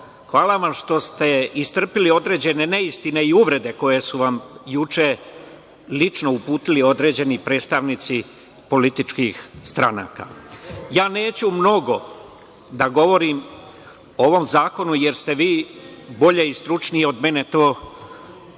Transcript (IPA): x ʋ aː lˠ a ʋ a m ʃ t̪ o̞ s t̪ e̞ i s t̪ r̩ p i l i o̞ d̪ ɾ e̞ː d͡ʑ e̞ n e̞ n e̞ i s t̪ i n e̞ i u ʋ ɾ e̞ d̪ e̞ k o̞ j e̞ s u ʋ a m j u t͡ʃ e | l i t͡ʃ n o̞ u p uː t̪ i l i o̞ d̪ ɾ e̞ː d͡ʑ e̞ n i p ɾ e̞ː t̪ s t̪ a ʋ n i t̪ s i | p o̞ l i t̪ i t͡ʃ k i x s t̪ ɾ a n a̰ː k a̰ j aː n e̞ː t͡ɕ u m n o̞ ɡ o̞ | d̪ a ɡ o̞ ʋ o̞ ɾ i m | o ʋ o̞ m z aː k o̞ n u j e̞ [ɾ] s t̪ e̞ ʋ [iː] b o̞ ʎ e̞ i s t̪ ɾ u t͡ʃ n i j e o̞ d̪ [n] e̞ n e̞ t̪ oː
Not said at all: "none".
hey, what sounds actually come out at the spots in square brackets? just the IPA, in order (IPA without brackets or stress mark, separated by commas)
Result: ɾ, iː, m